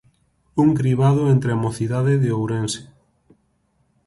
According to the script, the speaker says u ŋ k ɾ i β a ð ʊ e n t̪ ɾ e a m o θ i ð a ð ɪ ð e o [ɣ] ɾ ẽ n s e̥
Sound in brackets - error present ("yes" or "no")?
yes